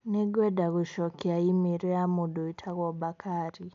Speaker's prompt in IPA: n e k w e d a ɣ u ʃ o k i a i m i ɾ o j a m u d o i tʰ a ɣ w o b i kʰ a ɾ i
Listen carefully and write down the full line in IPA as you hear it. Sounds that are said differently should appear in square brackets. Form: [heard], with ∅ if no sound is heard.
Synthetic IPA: n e [ɡ] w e d a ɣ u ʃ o k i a i m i ɾ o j a m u d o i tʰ a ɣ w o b [a] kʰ a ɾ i